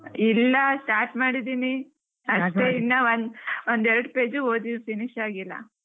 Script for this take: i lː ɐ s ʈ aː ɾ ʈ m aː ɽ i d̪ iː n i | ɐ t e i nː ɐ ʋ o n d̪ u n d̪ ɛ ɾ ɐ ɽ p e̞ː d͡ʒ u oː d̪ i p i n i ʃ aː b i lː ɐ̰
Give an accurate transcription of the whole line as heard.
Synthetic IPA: i lː ɐ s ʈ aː ɾ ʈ m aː ɽ i d̪ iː n i | ɐ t e i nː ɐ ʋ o n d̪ o n d̪ ɛ ɾ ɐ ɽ p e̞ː d͡ʒ u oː d̪ i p i n i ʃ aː ɡ i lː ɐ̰